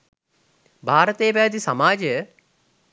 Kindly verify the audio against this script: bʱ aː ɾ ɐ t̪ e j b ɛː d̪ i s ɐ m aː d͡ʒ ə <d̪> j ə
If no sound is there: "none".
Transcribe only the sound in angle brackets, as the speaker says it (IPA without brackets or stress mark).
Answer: none